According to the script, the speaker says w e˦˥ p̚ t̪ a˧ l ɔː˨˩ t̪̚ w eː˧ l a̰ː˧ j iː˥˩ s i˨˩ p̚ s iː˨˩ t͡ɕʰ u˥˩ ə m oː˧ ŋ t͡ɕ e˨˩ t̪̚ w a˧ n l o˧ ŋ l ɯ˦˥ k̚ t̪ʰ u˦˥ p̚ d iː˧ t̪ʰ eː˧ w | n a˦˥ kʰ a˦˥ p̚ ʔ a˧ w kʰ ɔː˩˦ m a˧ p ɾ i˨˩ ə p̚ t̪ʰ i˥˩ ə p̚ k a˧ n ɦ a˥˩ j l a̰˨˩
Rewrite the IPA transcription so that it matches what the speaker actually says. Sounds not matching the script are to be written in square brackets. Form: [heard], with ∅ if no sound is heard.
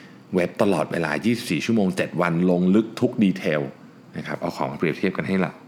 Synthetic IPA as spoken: w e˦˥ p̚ t̪ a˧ l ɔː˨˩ t̪̚ w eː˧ l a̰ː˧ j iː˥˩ s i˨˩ p̚ s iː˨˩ t͡ɕʰ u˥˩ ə m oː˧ ŋ t͡ɕ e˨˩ t̪̚ w a˧ n l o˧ ŋ l ɯ˦˥ k̚ t̪ʰ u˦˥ [k̚] d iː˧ t̪ʰ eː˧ w | n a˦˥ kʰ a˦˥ p̚ ʔ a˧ w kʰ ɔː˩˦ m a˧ p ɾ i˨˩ ə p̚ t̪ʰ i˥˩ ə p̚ k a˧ n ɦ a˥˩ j l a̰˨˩